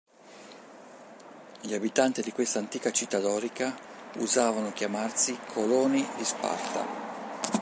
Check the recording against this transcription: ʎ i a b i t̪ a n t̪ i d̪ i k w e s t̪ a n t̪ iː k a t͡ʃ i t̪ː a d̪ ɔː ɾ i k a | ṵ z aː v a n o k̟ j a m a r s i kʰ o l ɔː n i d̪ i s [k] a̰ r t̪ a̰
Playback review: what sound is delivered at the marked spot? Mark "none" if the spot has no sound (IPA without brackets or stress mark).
p